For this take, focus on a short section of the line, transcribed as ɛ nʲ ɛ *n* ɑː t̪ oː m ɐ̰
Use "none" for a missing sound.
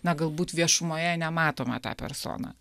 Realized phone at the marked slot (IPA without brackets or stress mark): m